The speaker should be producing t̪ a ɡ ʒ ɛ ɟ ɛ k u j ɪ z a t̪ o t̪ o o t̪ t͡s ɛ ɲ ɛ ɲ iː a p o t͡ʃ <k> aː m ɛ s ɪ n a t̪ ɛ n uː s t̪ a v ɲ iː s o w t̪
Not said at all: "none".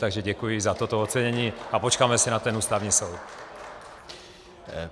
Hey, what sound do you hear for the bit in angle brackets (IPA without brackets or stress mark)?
k